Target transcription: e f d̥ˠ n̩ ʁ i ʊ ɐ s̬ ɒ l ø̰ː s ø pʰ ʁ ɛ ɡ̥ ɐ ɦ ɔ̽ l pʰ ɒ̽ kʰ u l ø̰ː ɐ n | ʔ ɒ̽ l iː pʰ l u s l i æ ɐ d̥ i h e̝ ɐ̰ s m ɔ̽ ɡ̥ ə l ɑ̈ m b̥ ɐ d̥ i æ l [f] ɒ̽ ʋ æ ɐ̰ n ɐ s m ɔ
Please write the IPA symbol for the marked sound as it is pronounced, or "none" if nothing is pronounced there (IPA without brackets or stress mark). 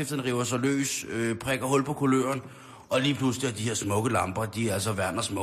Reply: s